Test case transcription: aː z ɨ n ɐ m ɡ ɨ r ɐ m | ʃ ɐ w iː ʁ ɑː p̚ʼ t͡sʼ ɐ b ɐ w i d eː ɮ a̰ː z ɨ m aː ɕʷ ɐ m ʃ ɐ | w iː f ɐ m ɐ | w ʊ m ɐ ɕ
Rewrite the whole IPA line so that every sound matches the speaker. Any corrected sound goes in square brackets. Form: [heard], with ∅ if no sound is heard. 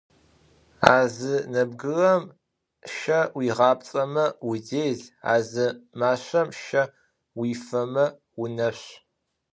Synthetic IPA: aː z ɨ n ɐ [b] ɡ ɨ r ɐ m | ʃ ɐ w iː ʁ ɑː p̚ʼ t͡sʼ ɐ [m] ɐ w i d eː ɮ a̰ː z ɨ m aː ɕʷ ɐ m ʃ ɐ | w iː f ɐ m ɐ | w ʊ [n] ɐ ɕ